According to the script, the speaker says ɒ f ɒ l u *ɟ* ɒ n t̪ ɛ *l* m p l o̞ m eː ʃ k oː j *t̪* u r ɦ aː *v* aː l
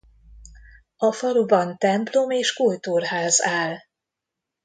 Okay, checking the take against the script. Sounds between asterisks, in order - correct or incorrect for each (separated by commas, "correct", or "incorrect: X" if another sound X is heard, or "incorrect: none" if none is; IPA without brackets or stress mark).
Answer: incorrect: b, incorrect: none, correct, incorrect: z